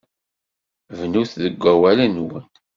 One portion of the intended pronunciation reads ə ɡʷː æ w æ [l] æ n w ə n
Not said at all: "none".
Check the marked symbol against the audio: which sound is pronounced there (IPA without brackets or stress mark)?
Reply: l